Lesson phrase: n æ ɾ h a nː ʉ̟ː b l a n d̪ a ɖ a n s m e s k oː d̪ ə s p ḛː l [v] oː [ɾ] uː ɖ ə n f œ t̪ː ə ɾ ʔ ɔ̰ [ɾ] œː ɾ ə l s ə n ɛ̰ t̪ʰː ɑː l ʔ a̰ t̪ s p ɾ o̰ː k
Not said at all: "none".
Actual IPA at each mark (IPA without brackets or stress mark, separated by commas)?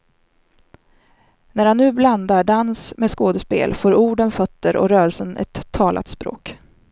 f, ɾ, ɾ